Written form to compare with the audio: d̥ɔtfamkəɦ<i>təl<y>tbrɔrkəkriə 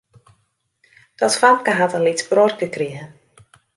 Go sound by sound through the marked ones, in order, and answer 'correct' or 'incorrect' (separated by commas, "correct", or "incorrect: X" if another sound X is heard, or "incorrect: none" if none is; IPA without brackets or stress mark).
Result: incorrect: a, incorrect: i